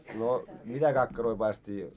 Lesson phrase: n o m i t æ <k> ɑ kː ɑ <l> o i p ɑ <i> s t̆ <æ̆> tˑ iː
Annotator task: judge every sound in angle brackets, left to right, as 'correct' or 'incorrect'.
correct, incorrect: r, correct, incorrect: ĕ

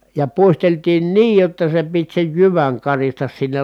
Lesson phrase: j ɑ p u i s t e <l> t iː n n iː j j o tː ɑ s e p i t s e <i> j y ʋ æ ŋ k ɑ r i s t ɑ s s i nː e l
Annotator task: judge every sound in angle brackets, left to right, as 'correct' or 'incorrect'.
correct, incorrect: j

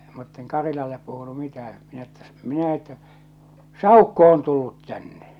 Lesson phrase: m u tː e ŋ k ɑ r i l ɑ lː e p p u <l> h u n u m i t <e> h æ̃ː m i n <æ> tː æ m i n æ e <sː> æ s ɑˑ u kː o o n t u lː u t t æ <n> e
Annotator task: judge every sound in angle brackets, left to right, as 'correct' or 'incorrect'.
incorrect: none, incorrect: æ, correct, incorrect: tː, incorrect: nː

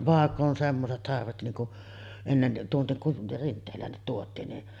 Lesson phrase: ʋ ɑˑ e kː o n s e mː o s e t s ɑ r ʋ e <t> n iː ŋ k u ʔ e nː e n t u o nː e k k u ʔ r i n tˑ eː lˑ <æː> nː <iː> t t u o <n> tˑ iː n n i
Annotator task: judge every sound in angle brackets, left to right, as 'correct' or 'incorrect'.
correct, correct, incorrect: i, incorrect: none

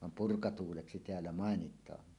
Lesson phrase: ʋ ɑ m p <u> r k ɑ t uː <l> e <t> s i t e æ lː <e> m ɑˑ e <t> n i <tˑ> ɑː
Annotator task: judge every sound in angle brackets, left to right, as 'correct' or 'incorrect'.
correct, correct, incorrect: k, incorrect: æ, incorrect: none, correct

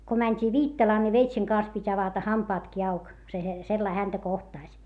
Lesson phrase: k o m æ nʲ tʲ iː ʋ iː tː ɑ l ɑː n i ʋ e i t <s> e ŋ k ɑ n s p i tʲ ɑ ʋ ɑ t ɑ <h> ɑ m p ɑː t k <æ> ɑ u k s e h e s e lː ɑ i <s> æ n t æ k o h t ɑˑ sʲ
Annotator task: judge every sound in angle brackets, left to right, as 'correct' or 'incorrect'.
correct, correct, incorrect: i, incorrect: h

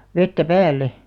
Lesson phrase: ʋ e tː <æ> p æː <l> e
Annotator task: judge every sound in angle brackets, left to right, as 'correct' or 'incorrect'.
correct, incorrect: lː

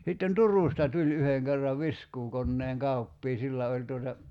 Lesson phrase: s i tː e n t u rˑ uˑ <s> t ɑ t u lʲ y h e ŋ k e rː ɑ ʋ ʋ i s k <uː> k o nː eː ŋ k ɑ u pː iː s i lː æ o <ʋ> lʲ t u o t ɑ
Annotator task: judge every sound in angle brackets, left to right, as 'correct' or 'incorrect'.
correct, correct, incorrect: none

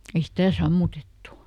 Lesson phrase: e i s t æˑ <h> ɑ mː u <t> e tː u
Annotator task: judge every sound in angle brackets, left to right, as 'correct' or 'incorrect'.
incorrect: s, correct

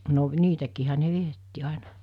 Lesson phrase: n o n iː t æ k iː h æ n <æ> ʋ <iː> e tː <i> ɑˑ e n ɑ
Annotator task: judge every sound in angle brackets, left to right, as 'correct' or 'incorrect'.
incorrect: e, incorrect: i, correct

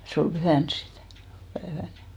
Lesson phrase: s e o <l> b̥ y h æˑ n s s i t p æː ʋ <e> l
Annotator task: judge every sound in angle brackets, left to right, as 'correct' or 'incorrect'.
correct, incorrect: æ

